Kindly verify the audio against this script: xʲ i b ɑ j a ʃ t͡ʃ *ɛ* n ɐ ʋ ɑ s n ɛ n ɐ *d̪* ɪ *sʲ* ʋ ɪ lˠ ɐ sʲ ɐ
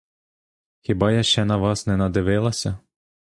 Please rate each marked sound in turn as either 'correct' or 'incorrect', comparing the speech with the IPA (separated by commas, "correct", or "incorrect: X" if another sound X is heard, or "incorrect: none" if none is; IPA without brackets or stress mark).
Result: correct, correct, incorrect: none